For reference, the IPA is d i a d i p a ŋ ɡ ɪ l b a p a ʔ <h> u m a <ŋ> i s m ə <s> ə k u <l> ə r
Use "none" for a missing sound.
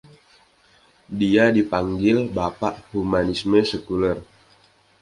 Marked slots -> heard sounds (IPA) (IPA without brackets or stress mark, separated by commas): h, n, s, l